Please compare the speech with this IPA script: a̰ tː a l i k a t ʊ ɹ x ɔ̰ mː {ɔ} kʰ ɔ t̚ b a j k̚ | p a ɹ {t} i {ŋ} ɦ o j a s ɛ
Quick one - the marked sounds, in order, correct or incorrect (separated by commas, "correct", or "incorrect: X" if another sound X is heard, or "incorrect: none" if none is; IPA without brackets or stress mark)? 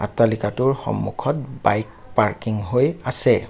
incorrect: u, incorrect: k, correct